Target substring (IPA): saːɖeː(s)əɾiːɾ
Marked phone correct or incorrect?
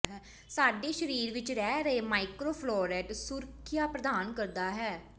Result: incorrect